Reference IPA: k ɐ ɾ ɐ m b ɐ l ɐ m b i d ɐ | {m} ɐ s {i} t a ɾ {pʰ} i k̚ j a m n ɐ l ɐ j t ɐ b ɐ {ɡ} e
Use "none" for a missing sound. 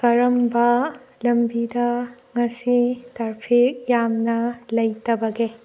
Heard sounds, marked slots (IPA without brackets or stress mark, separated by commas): ŋ, i, pʰ, ɡ